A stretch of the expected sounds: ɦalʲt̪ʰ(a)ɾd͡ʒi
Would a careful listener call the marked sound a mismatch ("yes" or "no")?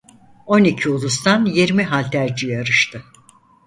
yes